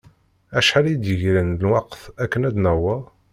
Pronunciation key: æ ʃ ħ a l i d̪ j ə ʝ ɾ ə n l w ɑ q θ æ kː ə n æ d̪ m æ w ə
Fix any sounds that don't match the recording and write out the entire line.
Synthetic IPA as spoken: æ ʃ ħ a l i d̪ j ə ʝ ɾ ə n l w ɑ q θ æ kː ə n æ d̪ n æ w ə